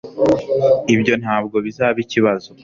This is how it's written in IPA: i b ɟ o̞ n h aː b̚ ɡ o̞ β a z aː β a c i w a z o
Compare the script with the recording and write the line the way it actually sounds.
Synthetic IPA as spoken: i b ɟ o̞ n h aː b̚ ɡ o̞ β i z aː β i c i β a z o